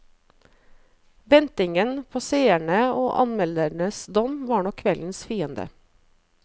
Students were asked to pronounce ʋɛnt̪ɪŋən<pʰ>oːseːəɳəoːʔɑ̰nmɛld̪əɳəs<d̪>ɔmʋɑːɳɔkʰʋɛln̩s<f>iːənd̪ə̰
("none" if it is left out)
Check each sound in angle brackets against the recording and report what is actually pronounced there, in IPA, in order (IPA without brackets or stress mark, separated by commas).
pʰ, d̪, f